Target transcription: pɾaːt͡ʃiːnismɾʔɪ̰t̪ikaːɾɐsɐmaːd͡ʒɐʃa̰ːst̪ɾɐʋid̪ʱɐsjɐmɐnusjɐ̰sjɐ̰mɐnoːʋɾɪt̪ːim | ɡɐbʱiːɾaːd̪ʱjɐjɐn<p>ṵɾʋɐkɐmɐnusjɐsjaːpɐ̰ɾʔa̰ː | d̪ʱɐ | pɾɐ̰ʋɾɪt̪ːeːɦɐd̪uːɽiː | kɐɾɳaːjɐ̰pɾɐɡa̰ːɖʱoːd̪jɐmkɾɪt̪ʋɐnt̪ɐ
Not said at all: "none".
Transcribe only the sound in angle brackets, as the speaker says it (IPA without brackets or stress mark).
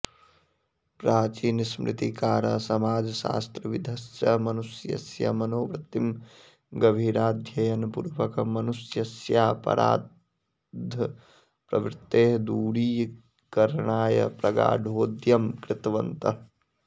p